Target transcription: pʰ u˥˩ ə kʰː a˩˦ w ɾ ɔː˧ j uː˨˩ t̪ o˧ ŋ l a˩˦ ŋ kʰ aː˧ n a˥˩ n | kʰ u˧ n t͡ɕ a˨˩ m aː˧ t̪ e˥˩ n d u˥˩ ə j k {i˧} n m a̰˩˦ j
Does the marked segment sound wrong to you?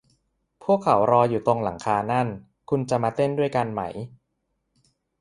yes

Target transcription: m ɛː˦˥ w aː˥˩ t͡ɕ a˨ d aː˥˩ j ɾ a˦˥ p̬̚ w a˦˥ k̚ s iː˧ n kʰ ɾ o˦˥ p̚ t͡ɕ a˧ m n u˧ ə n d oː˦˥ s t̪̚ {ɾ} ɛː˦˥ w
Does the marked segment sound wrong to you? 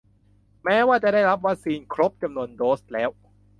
yes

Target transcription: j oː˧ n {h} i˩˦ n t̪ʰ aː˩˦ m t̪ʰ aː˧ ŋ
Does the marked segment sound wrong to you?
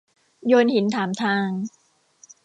no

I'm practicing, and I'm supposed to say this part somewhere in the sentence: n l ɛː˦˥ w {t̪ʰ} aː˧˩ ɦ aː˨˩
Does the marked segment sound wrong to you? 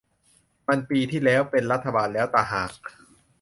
yes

